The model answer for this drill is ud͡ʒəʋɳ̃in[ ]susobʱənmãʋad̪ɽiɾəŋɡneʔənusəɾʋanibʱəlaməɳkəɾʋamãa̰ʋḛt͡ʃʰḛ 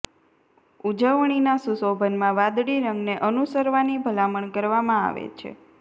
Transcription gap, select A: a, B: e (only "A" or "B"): A